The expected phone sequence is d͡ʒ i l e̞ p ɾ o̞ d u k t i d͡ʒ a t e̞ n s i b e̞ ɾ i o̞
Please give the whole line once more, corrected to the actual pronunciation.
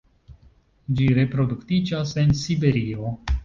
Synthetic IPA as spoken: d͡ʒ i ɾ e̞ p ɾ o̞ d u k t i d͡ʒ a s e̞ n s i b e̞ ɾ i o̞